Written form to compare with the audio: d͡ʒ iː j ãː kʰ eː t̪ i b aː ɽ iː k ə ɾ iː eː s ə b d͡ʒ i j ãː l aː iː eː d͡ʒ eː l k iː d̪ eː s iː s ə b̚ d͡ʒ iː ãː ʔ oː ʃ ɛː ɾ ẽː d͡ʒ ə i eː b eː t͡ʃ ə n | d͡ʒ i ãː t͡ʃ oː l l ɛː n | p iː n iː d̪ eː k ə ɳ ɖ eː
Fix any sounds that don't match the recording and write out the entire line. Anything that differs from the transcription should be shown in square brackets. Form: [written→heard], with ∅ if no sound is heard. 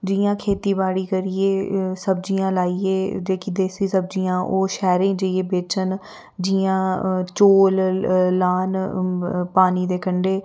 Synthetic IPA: d͡ʒ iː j ãː kʰ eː t̪ [i→iː] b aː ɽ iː k ə ɾ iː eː s ə b d͡ʒ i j ãː l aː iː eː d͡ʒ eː [l→∅] k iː d̪ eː s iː s ə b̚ d͡ʒ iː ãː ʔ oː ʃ ɛː ɾ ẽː d͡ʒ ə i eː b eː t͡ʃ ə n | d͡ʒ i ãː t͡ʃ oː l l [ɛː→aː] n | p [iː→aː] n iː d̪ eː k ə ɳ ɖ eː